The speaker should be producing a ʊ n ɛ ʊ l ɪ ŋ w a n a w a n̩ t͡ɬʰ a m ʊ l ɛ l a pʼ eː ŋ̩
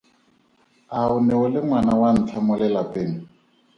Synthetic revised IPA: a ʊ n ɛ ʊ l ɪ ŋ w a n a w a n̩ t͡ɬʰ a m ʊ l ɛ l a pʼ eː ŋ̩